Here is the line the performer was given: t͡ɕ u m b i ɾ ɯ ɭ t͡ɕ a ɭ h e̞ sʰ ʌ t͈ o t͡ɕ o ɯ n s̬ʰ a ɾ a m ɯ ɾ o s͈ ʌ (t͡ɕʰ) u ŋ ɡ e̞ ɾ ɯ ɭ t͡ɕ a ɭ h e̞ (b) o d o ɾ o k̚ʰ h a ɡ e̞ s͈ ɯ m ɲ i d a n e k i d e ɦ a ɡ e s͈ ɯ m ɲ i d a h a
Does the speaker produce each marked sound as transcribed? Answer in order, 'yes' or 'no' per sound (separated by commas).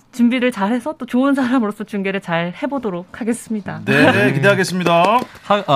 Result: no, yes